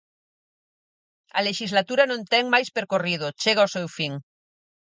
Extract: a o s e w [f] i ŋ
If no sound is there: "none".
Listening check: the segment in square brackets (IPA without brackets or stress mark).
f